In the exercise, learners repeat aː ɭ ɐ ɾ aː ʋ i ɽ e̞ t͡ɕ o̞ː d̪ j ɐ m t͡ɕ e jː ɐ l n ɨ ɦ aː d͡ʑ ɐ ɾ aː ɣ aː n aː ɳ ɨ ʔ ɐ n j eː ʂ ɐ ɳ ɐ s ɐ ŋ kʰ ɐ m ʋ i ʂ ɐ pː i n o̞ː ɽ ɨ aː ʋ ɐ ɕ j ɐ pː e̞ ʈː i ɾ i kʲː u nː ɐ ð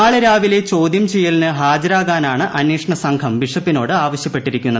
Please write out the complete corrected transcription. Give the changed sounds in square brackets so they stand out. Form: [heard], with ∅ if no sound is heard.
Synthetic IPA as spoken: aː ɭ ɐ ɾ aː ʋ i [l] e̞ t͡ɕ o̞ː d̪ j ɐ m t͡ɕ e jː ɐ l n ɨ ɦ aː d͡ʑ ɐ ɾ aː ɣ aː n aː ɳ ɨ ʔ ɐ n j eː ʂ ɐ ɳ ɐ s ɐ ŋ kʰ ɐ m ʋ i ʂ ɐ pː i n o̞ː ɽ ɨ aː ʋ ɐ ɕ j ɐ pː e̞ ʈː i ɾ i kʲː u nː ɐ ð